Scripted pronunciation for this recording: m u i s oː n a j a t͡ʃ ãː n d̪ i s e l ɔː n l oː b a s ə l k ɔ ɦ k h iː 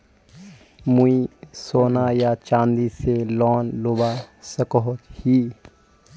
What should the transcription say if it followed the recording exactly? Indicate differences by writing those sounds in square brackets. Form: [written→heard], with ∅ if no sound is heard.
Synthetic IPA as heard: m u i s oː n a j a t͡ʃ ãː n d̪ i s e l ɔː n l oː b a s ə [l→∅] k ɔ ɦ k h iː